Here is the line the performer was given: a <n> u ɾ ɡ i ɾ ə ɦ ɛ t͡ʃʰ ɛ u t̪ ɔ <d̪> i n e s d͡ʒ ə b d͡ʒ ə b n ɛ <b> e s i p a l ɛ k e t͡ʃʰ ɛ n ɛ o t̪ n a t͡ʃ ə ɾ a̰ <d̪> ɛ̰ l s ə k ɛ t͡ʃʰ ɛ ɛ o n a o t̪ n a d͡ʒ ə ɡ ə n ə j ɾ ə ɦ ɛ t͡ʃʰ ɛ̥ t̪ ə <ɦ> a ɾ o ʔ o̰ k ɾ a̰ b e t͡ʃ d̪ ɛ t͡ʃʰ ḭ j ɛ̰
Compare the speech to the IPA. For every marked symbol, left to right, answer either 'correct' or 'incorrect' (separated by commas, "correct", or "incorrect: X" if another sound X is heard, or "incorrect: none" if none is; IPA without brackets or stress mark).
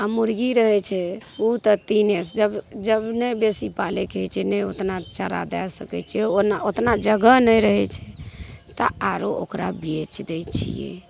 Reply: incorrect: m, incorrect: t̪, correct, correct, incorrect: none